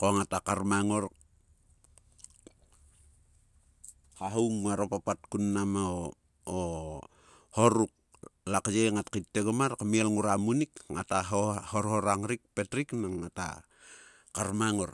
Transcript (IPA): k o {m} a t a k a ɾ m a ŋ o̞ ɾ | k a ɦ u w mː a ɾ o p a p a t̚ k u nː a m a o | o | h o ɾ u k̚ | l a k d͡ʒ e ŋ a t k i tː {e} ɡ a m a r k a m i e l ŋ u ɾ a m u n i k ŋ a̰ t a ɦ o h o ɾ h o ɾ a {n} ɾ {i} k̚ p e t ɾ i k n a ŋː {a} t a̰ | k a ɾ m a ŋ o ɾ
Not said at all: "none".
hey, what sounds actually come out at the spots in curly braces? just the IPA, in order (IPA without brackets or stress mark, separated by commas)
ŋ, e, ŋ, i, a